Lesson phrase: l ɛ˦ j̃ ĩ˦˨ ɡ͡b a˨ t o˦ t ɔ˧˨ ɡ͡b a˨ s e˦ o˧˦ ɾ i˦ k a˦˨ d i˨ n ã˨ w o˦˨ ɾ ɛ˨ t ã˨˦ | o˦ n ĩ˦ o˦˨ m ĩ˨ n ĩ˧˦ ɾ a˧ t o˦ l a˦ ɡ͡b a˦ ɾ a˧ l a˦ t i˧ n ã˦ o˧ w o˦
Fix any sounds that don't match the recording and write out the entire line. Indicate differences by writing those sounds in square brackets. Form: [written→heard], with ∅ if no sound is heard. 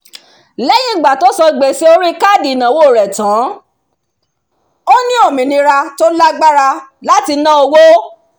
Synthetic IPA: l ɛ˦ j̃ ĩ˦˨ ɡ͡b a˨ t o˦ [t→s] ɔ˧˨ ɡ͡b [a˨→e˨] s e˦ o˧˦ ɾ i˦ k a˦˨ d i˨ n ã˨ w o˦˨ ɾ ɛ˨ t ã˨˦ | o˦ n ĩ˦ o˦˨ m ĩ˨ n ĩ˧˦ ɾ a˧ t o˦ l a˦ ɡ͡b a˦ ɾ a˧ l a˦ t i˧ n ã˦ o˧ w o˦